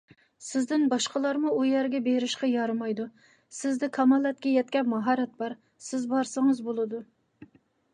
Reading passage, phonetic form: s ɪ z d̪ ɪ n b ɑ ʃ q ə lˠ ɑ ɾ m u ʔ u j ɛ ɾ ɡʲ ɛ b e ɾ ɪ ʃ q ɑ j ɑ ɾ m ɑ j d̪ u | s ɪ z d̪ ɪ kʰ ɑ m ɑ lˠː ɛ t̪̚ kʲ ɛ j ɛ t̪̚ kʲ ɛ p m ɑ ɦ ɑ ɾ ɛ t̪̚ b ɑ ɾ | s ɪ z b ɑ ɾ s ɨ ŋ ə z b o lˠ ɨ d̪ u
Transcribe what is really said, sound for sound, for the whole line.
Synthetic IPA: s ɪ z d̪ ɪ n b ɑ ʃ q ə lˠ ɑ ɾ m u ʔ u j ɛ ɾ ɡʲ ɛ b e ɾ ɪ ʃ q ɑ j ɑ ɾ m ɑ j d̪ u | s ɪ z d̪ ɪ kʰ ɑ m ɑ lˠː ɛ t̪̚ kʲ ɛ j ɛ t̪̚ kʲ ɛ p m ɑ ɦ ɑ ɾ ɛ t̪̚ b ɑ ɾ | s ɪ z b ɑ ɾ s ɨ ŋ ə z b o lˠ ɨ d̪ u